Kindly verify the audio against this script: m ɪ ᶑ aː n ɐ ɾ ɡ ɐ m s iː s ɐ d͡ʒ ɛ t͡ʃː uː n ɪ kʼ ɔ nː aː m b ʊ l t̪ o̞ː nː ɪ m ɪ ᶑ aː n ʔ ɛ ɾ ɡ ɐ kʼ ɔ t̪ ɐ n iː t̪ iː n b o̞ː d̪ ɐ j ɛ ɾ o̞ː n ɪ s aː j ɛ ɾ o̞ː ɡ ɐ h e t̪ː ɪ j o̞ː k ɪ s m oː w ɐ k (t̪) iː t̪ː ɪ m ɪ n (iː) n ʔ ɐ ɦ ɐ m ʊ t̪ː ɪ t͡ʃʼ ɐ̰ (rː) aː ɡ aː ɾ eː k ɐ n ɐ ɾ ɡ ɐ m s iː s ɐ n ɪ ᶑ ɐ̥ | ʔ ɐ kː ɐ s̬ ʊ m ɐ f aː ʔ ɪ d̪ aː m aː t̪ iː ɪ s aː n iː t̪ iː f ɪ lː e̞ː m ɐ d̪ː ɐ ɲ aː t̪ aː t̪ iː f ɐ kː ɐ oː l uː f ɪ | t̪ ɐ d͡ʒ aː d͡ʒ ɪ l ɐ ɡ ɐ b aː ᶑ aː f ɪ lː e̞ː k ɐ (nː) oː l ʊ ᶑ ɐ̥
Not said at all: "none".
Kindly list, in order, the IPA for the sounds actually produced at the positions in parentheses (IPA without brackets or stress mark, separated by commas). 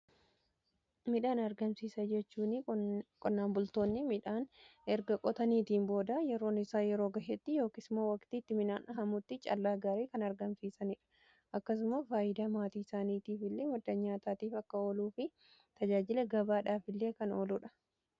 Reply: t̪, aː, lː, n